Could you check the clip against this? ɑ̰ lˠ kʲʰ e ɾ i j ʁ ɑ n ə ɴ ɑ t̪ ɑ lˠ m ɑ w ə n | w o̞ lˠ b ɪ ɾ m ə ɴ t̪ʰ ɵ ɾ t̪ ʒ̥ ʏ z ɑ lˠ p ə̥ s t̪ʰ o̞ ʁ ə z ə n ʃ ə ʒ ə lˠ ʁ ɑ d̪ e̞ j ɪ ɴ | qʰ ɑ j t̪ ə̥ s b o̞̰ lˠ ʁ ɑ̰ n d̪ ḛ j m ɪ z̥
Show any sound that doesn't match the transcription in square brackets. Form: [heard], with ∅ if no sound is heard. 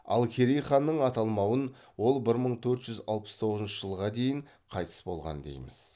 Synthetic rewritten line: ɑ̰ lˠ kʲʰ e ɾ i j [χ] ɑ [nː] ə ɴ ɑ t̪ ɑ lˠ m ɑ w ə n | w o̞ lˠ b ɪ ɾ m ə ɴ t̪ʰ ɵ ɾ t̪ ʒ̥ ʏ z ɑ lˠ p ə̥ s t̪ʰ o̞ ʁ ə z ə n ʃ ə ʒ ə lˠ ʁ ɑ d̪ e̞ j ɪ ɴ | qʰ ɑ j t̪ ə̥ s b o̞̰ lˠ ʁ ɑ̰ n d̪ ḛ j m ɪ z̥